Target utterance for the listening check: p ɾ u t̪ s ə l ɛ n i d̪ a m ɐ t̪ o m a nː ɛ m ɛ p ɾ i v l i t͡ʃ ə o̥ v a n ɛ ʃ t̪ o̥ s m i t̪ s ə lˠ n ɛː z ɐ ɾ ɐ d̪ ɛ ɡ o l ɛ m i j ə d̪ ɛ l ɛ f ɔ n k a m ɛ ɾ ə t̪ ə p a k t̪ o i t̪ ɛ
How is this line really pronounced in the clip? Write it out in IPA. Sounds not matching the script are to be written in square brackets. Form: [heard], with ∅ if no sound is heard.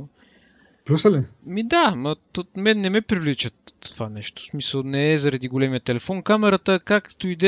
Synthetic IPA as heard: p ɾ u [∅] s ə l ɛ [m] i d̪ a m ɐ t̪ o m [ɛ] nː ɛ m ɛ p ɾ i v l i t͡ʃ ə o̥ v a n ɛ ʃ t̪ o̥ s m i [∅] s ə lˠ n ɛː z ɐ ɾ ɐ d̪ [i] ɡ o l ɛ m i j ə [t̪] ɛ l ɛ f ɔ n k a m ɛ ɾ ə t̪ ə [k] a k t̪ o i [d̪] ɛ